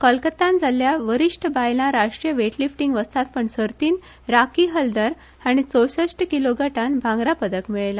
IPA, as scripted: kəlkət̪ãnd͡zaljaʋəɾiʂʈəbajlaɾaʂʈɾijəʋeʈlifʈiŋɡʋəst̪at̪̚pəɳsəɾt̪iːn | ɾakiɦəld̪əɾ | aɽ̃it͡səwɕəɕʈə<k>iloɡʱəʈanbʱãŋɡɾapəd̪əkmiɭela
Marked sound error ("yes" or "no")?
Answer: no